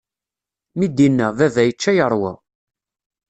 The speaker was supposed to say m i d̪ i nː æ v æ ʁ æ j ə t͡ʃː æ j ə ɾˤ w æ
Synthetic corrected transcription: m i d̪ i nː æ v æ v æ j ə t͡ʃː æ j ə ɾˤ w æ

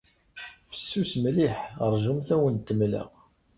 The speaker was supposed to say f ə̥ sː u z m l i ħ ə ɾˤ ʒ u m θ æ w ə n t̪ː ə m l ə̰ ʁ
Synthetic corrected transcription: f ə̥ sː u s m l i ħ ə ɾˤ ʒ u m θ æ w ə n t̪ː ə m l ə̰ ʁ

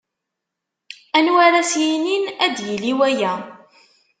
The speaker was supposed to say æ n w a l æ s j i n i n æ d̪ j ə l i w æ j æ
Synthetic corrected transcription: æ n w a ɾ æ s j i n i n æ d̪ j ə l i w æ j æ

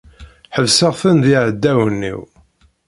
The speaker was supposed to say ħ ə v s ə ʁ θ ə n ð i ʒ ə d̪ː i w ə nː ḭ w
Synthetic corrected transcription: ħ ə v s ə ʁ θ ə n ð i ʕ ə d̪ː æ w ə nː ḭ w

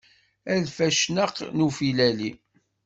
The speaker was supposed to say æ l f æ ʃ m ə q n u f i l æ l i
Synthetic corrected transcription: æ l f æ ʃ n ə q n u f i l æ l i

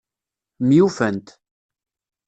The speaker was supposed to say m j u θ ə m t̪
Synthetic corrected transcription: m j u f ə n t̪

